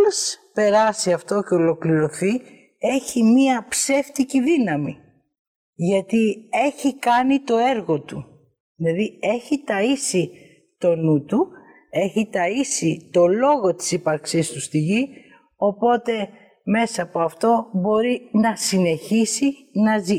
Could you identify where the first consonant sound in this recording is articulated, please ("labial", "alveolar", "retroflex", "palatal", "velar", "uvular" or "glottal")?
alveolar